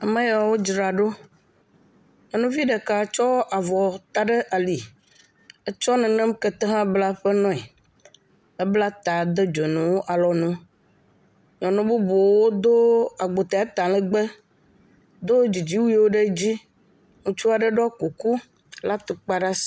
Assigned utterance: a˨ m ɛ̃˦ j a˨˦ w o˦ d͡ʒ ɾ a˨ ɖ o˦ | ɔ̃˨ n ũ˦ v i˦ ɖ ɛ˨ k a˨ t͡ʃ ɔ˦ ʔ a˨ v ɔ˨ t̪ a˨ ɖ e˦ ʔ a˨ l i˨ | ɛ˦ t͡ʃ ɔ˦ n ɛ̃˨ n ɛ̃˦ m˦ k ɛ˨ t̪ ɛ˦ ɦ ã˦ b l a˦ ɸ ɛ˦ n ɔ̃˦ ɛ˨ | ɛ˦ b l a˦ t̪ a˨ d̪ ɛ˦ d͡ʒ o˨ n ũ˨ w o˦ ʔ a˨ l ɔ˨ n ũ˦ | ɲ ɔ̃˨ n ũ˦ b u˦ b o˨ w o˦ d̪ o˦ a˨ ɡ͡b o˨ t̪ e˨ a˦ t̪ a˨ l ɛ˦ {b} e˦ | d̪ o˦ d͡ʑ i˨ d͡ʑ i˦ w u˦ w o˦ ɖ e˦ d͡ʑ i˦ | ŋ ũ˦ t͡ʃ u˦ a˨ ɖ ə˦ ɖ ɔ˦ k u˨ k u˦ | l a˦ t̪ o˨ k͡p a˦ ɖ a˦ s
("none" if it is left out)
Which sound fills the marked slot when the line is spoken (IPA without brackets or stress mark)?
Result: ɡ͡b